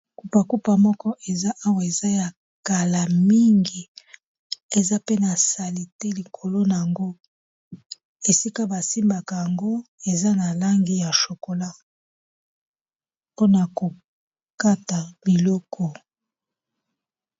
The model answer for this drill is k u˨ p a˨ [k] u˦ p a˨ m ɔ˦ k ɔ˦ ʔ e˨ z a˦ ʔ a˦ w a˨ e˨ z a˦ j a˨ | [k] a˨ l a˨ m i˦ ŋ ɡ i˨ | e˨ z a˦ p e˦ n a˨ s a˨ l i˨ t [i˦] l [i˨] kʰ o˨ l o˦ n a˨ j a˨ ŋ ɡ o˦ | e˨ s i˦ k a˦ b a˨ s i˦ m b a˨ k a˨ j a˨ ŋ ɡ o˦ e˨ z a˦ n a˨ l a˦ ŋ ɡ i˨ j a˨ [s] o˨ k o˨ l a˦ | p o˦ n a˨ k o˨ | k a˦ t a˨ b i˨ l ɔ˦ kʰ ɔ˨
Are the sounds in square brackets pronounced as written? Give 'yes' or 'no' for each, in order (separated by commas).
yes, yes, no, yes, no